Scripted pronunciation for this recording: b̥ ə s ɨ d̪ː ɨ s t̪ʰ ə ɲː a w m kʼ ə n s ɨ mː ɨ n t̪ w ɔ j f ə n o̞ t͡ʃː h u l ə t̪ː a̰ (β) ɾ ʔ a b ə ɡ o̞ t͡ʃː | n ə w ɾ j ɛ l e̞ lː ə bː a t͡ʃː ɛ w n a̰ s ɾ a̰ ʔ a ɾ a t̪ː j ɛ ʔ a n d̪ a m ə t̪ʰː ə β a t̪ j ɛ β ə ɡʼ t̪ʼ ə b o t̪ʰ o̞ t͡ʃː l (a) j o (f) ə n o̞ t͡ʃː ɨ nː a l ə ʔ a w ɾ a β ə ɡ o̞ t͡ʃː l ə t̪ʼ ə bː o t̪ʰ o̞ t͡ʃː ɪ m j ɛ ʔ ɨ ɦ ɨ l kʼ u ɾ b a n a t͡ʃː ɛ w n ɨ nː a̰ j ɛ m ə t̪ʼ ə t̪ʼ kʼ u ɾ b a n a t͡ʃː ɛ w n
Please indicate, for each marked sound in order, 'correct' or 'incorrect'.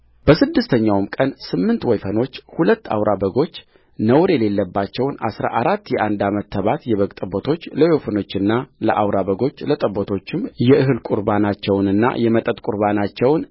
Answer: incorrect, incorrect, correct

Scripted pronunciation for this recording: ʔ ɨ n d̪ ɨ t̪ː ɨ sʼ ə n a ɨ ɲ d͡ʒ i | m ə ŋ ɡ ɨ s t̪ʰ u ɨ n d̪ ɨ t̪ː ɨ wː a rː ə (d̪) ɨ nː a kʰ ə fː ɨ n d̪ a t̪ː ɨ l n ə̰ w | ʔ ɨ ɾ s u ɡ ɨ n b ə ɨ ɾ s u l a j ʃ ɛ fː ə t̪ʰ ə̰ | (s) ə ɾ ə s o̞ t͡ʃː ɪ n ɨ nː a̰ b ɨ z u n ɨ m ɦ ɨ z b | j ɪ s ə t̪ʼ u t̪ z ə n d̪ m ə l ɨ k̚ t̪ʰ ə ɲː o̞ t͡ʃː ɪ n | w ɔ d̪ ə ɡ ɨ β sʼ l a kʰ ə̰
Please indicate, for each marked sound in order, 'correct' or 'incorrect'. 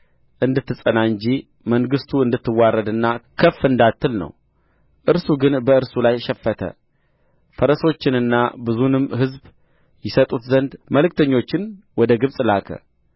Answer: correct, incorrect

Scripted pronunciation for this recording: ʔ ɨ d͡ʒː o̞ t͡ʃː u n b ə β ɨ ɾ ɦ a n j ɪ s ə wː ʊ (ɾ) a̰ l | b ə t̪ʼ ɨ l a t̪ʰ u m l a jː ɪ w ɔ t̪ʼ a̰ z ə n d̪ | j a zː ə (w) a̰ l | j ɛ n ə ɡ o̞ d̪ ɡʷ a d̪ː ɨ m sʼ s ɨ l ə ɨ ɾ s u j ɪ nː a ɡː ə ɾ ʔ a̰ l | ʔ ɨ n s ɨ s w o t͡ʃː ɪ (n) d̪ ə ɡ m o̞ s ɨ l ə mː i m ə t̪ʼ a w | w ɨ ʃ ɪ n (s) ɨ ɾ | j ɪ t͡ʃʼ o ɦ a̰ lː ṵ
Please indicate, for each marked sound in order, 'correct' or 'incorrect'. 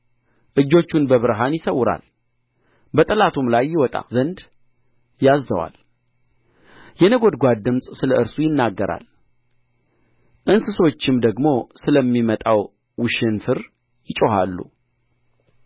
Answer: correct, correct, incorrect, incorrect

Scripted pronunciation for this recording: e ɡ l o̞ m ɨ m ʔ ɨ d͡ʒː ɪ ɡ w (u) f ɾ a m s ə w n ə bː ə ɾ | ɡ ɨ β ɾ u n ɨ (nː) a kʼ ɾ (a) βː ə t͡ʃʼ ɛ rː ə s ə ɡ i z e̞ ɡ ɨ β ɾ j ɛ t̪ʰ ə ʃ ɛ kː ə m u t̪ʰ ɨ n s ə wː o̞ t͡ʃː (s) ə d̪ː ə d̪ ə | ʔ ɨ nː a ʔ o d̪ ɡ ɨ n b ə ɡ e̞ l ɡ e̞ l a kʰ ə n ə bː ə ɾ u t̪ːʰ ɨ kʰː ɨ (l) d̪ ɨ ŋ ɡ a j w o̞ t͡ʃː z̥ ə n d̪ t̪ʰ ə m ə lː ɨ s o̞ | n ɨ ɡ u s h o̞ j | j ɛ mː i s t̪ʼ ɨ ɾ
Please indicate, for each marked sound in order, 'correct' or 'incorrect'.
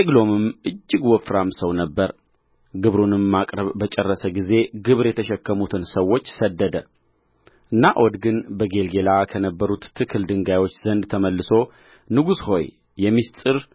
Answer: incorrect, incorrect, incorrect, correct, correct

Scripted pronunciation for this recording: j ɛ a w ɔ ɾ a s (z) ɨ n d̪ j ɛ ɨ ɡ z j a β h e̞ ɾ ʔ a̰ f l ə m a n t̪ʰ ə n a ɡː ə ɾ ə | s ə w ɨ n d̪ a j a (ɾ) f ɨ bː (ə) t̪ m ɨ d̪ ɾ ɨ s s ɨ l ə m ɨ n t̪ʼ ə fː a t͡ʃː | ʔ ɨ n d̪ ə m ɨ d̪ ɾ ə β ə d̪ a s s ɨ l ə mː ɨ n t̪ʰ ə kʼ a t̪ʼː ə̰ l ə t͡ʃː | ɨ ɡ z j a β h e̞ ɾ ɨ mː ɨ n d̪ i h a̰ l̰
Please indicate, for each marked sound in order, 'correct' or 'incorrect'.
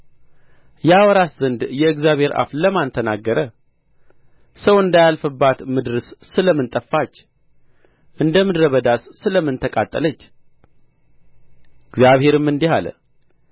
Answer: correct, incorrect, incorrect

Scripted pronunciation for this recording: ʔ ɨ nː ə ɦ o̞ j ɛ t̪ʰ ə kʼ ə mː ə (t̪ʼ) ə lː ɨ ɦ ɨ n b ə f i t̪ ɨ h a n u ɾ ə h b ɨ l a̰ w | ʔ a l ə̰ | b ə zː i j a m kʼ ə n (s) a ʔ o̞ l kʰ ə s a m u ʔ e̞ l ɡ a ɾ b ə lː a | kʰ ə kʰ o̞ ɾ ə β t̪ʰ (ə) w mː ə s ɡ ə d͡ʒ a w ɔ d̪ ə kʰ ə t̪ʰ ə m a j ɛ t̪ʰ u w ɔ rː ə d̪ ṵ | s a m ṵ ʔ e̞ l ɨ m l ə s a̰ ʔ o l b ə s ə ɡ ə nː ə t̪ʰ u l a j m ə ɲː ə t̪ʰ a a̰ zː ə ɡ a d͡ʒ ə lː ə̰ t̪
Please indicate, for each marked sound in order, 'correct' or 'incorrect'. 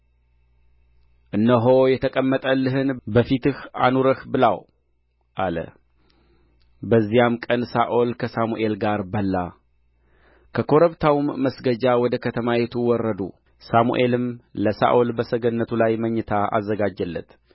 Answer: correct, correct, incorrect

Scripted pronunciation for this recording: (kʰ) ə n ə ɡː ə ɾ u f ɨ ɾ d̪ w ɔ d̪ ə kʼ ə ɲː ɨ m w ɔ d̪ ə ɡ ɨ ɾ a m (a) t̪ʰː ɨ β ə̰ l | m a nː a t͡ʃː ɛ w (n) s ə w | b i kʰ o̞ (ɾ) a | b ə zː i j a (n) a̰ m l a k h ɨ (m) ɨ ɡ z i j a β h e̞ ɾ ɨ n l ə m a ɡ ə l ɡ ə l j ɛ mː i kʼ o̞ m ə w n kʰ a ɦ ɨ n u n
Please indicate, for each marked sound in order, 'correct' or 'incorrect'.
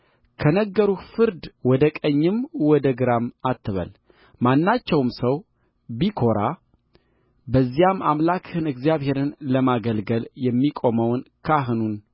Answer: correct, correct, incorrect, correct, incorrect, incorrect

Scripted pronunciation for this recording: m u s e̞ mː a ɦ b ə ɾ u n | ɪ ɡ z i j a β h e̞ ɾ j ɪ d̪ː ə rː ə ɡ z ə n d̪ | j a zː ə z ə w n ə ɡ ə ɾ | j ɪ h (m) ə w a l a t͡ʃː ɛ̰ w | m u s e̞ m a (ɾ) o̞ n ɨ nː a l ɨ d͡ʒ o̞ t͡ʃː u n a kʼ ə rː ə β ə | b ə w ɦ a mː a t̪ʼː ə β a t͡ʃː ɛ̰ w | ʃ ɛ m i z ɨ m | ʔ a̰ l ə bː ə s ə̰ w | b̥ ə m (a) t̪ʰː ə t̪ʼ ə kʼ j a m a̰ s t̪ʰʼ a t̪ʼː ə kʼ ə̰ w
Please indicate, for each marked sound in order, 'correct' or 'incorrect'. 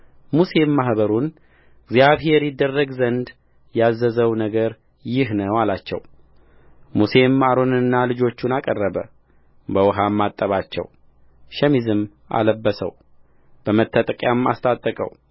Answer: incorrect, correct, incorrect

